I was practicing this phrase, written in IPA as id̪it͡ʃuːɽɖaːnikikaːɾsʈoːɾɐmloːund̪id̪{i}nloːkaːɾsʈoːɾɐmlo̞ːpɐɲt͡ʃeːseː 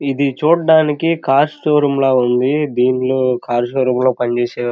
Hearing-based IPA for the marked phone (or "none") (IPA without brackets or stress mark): iː